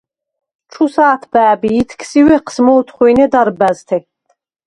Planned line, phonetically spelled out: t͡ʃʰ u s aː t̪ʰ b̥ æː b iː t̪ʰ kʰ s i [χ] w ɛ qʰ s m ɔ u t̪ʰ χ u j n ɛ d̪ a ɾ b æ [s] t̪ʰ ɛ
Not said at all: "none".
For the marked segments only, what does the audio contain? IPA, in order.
none, z

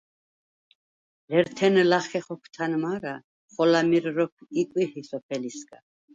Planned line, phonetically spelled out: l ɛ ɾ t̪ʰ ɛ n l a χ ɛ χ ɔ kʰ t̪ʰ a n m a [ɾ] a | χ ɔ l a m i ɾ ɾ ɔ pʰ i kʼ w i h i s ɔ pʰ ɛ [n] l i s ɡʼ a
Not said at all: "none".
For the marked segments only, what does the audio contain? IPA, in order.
ɾ, none

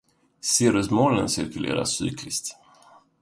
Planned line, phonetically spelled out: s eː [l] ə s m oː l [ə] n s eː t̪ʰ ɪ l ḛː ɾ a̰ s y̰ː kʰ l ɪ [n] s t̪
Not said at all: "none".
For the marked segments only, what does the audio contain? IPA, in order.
ɾ, ə, none

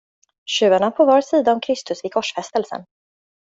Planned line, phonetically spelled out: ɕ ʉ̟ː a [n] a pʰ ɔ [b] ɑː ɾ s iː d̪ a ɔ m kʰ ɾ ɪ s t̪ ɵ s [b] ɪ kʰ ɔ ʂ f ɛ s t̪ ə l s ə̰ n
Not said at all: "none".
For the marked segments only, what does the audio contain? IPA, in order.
ɳ, v, v

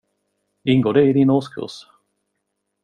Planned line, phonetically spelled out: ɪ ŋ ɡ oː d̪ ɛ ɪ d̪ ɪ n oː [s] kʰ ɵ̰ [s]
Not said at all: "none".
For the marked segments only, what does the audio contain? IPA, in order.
s, s

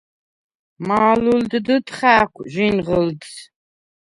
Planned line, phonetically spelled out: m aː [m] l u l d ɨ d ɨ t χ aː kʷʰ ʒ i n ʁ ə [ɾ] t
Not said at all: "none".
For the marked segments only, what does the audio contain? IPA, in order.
none, l

